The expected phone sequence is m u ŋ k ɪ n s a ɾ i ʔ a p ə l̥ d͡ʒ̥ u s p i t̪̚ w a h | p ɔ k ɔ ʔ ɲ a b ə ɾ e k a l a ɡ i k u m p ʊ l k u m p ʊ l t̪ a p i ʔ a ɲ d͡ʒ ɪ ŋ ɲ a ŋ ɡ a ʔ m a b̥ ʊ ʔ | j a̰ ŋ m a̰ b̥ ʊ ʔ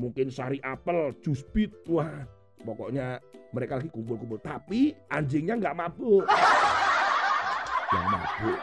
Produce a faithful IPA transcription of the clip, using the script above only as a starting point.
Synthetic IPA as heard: m u ŋ k ɪ n s a ɾ i ʔ a p ə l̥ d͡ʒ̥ u s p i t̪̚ w a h | p ɔ k ɔ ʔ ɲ a m ə ɾ e k a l a ɡ i k u m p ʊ l k u m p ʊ l t̪ a p i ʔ a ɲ d͡ʒ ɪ ŋ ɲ a ŋ ɡ a ʔ m a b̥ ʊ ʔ | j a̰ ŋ m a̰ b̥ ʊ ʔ